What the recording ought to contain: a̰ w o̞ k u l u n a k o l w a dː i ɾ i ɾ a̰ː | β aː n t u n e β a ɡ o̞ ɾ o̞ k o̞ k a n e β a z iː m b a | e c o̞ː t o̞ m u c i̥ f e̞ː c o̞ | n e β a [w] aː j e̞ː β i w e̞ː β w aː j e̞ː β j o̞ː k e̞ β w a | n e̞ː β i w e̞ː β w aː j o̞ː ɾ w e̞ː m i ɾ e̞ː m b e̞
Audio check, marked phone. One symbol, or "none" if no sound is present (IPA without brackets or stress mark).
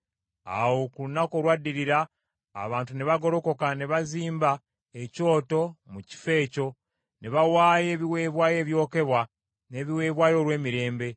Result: w